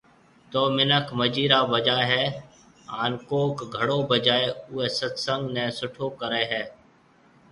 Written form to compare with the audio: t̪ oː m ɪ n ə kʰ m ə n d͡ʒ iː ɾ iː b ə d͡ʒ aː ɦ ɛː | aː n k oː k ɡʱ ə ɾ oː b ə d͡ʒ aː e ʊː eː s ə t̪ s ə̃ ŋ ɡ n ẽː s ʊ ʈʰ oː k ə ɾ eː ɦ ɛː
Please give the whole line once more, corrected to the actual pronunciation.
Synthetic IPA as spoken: t̪ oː m ɪ n ə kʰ m ə d͡ʒ iː ɾ aː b ə d͡ʒ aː ɦ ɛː | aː n k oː k ɡʱ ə ɽ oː b ə d͡ʒ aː e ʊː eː s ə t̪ s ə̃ ŋ ɡ n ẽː s ʊ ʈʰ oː k ə ɾ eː ɦ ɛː

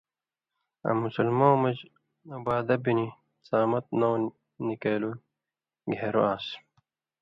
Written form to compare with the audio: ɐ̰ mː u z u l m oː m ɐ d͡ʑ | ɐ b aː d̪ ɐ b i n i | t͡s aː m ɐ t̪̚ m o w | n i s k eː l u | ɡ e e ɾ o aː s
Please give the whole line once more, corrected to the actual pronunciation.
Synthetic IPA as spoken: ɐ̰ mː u s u l m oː m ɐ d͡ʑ | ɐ b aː d̪ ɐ b i n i | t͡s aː m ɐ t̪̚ n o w | n i k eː l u | ɡ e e ɾ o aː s

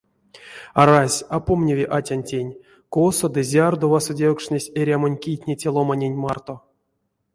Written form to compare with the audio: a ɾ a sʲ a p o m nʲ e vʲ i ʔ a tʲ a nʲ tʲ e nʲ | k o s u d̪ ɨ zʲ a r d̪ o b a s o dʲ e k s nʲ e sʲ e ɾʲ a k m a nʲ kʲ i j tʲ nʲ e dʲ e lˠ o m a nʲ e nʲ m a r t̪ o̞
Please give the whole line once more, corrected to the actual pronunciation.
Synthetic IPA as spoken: a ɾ a sʲ a p o m nʲ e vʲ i ʔ a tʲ a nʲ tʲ e nʲ | k o s o d̪ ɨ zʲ a r d̪ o v a s o dʲ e k ʂ nʲ e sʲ e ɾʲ a m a nʲ kʲ i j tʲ nʲ e tʲ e lˠ o m a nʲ e nʲ m a r t̪ o̞

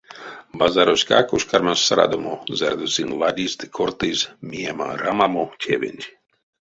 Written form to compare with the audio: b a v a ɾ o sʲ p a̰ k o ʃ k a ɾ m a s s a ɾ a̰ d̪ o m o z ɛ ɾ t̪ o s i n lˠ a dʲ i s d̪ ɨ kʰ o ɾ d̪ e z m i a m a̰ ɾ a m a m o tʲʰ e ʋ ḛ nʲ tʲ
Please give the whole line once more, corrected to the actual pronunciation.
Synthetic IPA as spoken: b a z a ɾ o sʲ k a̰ k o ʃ k a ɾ m a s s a ɾ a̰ d̪ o m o z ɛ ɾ d̪ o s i n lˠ a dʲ i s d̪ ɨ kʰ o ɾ t̪ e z m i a m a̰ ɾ a m a m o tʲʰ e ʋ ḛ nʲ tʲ

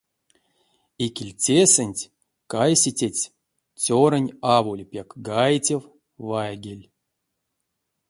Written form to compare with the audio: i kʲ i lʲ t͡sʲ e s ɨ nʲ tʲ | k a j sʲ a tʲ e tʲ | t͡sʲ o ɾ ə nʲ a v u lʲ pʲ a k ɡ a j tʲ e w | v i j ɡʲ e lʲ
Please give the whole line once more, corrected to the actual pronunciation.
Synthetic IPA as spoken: i kʲ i lʲ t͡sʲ e s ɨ nʲ tʲ | k a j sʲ i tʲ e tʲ | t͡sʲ o ɾ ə nʲ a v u lʲ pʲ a k ɡ a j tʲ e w | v a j ɡʲ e lʲ

